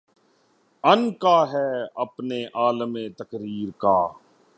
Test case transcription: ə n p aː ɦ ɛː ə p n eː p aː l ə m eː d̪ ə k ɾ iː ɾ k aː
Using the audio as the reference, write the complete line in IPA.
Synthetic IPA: ə n k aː ɦ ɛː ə p n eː ʔ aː l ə m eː t̪ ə k ɾ iː ɾ k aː

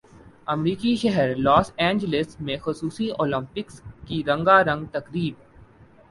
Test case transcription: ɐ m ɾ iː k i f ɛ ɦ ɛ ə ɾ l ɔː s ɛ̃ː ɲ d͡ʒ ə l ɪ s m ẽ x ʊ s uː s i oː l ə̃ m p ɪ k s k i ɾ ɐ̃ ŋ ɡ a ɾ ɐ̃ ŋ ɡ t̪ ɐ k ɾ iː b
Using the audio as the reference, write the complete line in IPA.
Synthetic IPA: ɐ m ɾ iː k i ʃ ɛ ɦ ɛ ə ɾ l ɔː s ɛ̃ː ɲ d͡ʒ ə l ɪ s m ẽ x ʊ s uː s i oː l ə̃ m p ɪ k s k i ɾ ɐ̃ ŋ ɡ a ɾ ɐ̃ ŋ ɡ t̪ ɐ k ɾ iː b

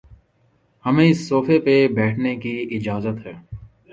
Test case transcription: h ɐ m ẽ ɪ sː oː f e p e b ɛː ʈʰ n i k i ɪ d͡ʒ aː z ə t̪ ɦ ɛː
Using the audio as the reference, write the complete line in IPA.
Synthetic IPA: h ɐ m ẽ ɪ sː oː f e p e b ɛː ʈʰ n e k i ɪ d͡ʒ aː z ə t̪ ɦ ɛː

